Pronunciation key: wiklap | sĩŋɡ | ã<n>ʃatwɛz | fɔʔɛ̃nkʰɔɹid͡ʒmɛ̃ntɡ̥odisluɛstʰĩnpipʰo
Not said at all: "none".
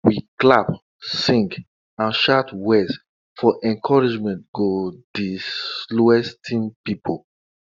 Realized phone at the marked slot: n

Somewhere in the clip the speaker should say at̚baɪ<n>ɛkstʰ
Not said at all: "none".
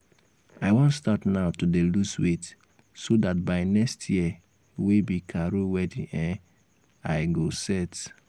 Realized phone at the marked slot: n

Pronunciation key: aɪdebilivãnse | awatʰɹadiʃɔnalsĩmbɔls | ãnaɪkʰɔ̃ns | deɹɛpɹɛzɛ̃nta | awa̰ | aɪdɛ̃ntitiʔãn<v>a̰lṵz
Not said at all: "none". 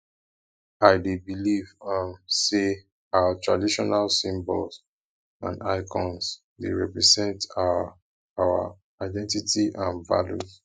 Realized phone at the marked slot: v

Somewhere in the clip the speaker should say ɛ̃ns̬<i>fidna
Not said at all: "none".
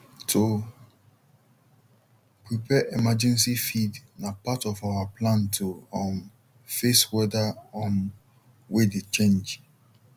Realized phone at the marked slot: i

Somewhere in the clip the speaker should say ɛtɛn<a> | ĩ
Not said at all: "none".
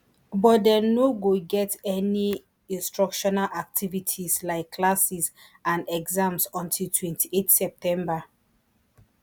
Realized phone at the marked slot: i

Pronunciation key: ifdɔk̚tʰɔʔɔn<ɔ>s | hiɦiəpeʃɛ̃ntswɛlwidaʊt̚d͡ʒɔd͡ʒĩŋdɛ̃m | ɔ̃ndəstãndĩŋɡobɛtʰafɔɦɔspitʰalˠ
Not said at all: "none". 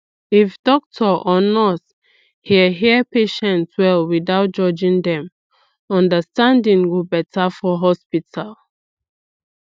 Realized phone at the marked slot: ɔ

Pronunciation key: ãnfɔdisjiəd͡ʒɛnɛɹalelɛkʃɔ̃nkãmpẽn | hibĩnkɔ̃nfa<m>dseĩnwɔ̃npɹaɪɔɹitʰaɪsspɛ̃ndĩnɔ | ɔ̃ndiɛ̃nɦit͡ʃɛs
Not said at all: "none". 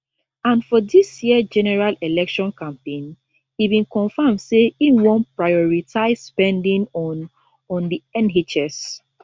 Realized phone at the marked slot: m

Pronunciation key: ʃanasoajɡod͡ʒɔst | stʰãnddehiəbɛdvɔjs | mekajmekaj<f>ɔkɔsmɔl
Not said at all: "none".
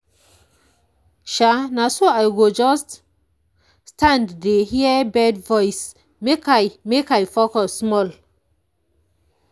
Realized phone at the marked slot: f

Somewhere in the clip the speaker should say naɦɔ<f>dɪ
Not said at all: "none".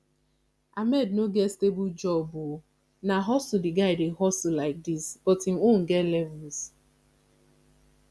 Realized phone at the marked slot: s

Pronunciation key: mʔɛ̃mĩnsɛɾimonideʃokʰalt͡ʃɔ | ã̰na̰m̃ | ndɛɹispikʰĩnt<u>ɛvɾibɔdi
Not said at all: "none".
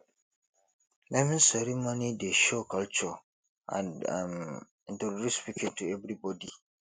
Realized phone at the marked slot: u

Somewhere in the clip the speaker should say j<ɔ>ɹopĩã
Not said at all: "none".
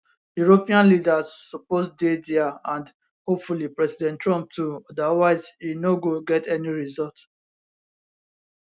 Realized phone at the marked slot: u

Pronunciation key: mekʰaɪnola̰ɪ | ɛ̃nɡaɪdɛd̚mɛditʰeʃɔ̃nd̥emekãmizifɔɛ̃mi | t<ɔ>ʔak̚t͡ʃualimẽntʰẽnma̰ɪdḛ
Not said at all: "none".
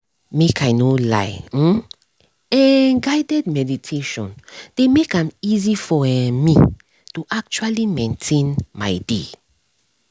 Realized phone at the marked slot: u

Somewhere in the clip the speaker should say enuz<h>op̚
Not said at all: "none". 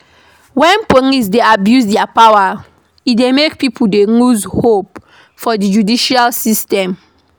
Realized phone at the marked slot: h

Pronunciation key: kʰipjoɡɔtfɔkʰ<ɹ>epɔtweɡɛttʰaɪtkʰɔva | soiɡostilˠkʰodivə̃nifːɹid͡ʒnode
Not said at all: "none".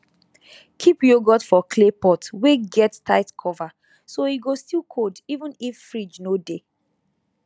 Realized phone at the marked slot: l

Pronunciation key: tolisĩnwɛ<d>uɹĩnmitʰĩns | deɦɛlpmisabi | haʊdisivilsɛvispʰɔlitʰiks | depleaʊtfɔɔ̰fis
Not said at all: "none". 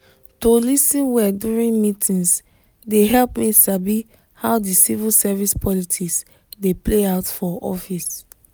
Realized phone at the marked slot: d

